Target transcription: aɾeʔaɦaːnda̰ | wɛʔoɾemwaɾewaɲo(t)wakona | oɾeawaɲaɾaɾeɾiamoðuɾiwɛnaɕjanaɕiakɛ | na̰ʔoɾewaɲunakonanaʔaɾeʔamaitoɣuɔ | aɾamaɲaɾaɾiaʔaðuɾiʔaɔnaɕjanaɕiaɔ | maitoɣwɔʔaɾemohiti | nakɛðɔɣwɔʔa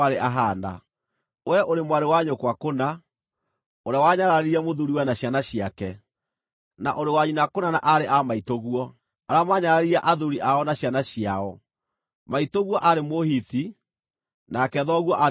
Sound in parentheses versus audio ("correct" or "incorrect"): incorrect